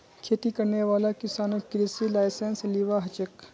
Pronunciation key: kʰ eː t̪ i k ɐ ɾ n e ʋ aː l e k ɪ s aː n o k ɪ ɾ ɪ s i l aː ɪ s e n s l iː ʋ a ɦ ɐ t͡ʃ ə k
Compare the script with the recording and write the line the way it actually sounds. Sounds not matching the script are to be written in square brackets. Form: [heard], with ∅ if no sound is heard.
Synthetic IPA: kʰ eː t̪ i k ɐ ɾ n e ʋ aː l [a] k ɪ s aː n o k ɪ ɾ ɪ s i l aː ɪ s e n s l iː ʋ a ɦ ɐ t͡ʃ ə k